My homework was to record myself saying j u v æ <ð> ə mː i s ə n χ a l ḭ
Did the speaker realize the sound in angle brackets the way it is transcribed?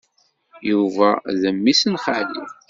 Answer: yes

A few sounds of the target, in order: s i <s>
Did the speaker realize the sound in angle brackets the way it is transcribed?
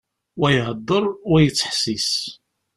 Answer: yes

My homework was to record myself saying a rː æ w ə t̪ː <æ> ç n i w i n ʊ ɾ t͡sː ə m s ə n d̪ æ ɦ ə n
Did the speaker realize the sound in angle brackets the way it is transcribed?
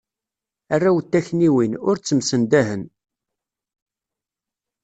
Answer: yes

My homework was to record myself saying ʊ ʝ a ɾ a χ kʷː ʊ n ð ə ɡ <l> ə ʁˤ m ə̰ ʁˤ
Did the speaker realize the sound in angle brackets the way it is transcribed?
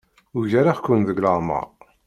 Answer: yes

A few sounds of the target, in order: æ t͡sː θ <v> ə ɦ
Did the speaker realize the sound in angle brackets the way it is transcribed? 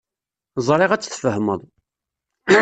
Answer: no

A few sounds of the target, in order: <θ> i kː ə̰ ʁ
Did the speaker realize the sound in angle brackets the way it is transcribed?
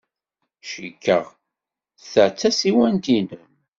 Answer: no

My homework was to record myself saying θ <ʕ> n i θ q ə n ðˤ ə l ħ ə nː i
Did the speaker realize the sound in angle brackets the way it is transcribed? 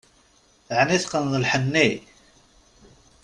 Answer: yes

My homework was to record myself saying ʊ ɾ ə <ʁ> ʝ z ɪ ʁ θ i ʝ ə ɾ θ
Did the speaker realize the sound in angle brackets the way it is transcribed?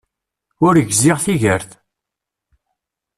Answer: no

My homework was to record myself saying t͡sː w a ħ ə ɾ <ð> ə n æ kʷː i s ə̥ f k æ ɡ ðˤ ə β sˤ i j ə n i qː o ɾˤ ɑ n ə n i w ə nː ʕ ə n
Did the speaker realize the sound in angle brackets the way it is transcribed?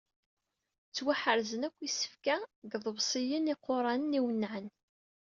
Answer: no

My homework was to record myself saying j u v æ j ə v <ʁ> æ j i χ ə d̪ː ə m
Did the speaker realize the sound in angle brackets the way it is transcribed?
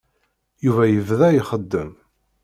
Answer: no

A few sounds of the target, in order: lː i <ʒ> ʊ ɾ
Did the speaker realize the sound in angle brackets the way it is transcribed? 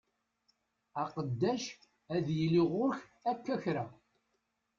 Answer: no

